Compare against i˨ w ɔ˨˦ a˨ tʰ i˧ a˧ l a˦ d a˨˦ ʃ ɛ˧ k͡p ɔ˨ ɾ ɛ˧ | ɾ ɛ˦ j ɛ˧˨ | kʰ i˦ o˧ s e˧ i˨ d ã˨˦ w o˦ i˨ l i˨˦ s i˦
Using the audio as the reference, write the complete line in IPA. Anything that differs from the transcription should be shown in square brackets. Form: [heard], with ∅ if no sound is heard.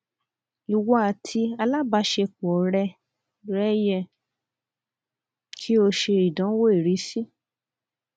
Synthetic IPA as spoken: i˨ w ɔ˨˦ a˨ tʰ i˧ a˧ l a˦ [b] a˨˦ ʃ [e˧] k͡p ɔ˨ ɾ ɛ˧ | ɾ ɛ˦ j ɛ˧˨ | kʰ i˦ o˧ [ʃ] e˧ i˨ d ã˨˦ w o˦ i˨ [ɾ] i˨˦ s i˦